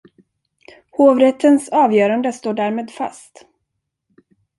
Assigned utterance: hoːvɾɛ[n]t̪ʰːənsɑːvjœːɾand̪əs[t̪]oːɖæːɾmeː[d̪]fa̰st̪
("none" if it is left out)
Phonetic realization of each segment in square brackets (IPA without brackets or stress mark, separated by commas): none, t̪, d̪